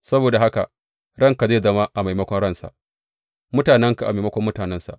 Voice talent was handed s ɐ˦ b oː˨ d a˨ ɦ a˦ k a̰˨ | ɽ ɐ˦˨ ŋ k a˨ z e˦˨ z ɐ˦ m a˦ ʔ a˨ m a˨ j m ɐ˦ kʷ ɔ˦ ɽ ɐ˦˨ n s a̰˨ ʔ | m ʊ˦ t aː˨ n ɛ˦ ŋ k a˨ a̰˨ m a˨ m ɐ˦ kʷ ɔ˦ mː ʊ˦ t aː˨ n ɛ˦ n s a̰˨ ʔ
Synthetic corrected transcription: s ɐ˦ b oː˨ d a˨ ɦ a˦ k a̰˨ | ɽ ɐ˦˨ ŋ k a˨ z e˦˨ z ɐ˦ m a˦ ʔ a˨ m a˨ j m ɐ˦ kʷ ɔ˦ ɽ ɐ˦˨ n s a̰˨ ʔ | m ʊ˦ t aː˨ n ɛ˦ ŋ k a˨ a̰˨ m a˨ m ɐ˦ kʷ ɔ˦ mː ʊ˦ t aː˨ n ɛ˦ n s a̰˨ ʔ